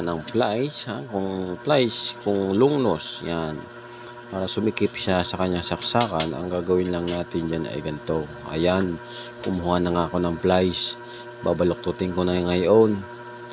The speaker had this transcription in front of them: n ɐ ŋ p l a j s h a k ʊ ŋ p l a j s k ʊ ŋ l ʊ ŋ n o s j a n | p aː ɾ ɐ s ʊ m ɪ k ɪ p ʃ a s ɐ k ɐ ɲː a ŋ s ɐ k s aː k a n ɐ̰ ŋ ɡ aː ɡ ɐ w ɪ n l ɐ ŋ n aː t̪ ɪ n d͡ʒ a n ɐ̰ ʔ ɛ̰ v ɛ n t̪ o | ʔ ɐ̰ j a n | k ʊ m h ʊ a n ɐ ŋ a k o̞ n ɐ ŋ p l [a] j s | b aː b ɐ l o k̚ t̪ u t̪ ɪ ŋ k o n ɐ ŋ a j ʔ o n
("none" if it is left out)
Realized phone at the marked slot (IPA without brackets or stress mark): a